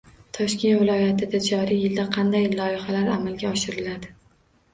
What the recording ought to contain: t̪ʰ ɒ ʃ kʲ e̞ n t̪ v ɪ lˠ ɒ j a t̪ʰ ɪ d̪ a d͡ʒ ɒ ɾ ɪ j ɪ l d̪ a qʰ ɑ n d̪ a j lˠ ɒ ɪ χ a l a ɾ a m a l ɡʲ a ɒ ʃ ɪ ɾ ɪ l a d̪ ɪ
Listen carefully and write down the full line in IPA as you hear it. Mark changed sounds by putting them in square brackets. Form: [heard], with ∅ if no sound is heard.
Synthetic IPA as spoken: t̪ʰ ɒ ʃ kʲ e̞ n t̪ v ɪ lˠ ɒ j a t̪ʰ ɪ d̪ a d͡ʒ ɒ ɾ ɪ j ɪ l d̪ a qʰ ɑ n d̪ a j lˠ ɒ ɪ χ a l a ɾ a m a l ɡʲ a ɒ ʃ ɪ ɾ ɪ l a d̪ ɪ